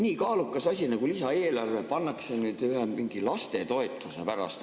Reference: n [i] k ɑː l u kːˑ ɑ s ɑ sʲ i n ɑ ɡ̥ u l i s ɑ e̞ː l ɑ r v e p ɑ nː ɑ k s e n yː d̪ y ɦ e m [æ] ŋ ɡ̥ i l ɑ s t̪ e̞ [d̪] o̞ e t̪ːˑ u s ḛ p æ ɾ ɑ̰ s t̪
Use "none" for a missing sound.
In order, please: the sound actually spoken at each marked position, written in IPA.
iː, i, t̪

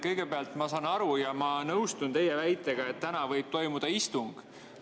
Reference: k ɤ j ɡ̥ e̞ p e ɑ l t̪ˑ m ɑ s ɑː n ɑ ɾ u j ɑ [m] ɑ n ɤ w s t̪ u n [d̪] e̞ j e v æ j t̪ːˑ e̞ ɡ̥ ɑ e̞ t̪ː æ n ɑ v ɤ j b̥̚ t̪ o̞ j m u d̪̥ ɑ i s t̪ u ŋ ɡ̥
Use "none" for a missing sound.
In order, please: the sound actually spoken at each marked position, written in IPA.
m, t̪

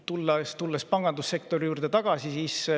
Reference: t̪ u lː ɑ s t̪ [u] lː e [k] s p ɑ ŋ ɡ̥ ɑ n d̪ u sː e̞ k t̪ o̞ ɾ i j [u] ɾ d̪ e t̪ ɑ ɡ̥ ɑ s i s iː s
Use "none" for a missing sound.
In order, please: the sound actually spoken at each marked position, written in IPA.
u, none, uː

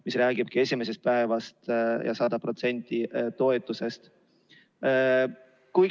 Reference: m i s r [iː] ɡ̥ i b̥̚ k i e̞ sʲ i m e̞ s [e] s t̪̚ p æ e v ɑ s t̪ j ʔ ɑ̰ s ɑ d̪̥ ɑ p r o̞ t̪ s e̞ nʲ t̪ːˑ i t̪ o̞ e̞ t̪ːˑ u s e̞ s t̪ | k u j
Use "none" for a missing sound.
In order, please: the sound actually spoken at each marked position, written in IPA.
æː, e

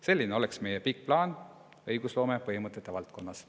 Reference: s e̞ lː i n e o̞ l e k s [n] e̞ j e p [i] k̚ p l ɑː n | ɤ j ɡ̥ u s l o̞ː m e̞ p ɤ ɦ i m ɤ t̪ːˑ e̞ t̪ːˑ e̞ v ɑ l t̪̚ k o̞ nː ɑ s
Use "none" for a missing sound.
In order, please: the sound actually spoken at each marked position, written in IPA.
m, i

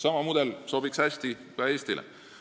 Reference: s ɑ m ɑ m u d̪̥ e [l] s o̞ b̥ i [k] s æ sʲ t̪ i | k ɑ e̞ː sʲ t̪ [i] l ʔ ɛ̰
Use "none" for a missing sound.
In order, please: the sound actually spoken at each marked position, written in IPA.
l, k, i

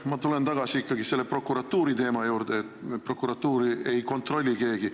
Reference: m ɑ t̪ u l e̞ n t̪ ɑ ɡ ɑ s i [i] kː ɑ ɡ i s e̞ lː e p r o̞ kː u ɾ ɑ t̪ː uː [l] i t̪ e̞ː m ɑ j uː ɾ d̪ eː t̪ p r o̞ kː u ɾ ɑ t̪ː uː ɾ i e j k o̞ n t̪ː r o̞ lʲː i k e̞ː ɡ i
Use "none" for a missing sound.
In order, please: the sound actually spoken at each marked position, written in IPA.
i, ɾ

